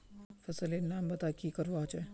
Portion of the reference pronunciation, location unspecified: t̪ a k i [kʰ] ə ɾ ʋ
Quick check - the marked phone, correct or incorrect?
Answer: incorrect: k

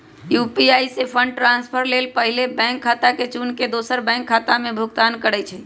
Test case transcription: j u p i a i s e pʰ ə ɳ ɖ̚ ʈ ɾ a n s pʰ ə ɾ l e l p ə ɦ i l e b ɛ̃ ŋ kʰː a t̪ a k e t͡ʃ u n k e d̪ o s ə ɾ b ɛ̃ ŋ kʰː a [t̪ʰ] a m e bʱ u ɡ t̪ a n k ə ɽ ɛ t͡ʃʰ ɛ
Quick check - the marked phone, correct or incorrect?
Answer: incorrect: t̪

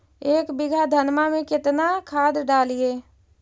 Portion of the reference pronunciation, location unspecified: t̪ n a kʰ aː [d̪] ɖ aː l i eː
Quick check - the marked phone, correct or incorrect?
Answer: correct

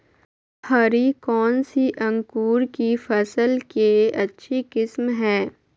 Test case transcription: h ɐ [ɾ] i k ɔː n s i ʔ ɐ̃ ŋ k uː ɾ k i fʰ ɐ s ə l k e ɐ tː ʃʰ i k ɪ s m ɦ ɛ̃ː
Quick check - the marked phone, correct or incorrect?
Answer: correct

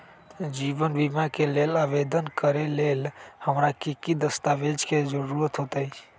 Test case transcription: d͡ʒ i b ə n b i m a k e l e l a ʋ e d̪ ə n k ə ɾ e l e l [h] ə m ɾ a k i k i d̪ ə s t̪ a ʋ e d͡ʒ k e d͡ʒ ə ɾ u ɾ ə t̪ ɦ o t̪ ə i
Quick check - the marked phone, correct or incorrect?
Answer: correct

